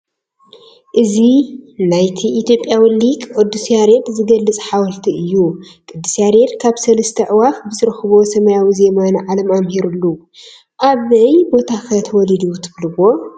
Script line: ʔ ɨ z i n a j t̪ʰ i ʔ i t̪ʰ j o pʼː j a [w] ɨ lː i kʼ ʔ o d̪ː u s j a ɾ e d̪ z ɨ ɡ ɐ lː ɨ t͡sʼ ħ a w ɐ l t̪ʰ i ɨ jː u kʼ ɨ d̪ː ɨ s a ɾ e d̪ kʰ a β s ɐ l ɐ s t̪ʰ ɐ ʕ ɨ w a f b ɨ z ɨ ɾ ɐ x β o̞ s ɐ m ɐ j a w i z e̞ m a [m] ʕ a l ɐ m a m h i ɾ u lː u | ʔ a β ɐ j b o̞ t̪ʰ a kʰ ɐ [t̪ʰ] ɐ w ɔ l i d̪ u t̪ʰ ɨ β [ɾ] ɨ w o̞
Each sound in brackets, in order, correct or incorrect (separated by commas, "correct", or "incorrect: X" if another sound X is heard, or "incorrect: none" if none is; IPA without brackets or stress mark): correct, incorrect: n, correct, incorrect: l